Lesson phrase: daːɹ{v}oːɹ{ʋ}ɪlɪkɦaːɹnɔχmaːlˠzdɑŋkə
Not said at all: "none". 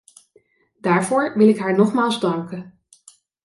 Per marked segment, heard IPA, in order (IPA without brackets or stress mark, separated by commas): v, ʋ